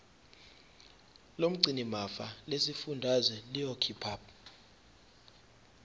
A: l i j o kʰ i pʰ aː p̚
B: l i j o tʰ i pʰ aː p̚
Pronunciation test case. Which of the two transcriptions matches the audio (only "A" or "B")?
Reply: A